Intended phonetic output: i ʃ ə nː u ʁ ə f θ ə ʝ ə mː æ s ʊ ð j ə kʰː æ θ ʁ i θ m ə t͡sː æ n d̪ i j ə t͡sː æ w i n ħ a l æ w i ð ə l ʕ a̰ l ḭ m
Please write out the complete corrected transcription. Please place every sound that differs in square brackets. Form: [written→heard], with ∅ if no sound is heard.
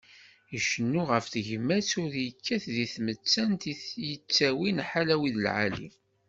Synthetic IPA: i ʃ ə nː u ʁ ə f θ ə ʝ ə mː æ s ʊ ð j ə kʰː æ θ [ʁ→ð] i θ m ə t͡sː æ n [d̪→t̪] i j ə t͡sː æ w i n ħ a l æ w i ð ə l ʕ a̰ l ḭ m